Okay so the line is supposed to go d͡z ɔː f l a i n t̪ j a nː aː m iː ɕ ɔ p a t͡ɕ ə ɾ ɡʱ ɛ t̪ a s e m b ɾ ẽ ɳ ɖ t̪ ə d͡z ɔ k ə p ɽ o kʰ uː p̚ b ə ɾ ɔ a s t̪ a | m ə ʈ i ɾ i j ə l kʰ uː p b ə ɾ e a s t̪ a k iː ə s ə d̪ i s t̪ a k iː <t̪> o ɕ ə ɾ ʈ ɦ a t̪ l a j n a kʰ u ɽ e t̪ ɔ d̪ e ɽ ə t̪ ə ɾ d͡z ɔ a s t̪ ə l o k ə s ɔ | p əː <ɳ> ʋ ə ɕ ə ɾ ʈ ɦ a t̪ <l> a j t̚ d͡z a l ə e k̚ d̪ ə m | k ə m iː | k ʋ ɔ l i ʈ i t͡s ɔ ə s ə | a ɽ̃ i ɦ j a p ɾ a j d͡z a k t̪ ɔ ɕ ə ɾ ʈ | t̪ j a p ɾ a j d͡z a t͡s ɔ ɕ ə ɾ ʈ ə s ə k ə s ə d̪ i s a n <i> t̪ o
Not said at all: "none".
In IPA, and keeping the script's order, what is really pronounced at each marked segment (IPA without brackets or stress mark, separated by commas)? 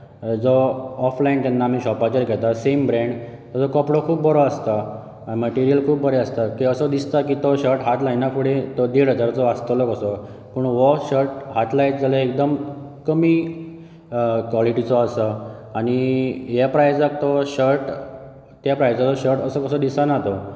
t̪, ɳ, l, a